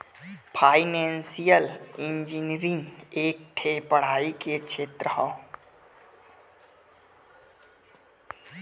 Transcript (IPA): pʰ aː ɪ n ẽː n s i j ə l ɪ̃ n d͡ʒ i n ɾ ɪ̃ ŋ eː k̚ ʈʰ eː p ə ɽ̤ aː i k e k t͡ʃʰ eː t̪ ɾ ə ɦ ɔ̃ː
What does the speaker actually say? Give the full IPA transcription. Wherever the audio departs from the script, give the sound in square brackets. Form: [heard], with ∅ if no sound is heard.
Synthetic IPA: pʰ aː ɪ n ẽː n s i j ə l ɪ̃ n d͡ʒ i n ɾ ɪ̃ ŋ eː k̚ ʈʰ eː p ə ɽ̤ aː i k e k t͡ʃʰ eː t̪ ɾ ə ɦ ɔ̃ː